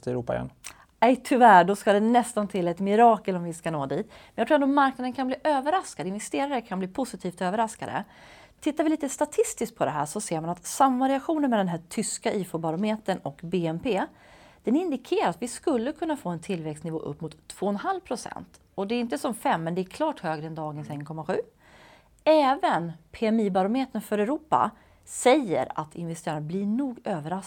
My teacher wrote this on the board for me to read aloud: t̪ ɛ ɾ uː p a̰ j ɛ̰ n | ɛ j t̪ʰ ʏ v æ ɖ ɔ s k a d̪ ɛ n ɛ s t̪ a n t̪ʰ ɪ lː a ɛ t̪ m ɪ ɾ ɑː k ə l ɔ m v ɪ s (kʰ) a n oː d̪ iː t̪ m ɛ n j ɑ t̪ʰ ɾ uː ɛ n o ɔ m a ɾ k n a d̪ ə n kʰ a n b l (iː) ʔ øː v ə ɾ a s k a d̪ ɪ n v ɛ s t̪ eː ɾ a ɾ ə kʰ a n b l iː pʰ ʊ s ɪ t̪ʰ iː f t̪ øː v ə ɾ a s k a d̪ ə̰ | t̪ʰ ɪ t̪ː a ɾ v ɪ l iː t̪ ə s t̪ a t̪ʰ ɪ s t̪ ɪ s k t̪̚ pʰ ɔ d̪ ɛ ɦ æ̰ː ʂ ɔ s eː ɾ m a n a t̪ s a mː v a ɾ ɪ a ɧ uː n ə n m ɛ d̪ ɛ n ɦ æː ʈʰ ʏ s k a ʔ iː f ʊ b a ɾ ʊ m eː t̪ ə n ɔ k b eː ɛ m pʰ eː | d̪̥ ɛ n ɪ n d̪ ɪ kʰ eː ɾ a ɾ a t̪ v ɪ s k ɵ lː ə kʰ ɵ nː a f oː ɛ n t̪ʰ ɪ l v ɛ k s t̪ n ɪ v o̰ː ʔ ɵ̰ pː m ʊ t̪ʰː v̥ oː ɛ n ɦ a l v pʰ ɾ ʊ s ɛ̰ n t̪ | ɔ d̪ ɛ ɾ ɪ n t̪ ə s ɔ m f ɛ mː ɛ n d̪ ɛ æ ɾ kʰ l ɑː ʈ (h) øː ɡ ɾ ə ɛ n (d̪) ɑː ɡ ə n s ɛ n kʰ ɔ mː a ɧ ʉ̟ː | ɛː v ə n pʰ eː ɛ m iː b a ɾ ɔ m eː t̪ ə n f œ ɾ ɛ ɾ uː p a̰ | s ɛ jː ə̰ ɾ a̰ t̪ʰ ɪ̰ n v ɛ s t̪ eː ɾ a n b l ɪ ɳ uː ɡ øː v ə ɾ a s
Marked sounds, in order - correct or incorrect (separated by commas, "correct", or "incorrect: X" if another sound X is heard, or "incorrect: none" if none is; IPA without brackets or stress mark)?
incorrect: k, correct, correct, correct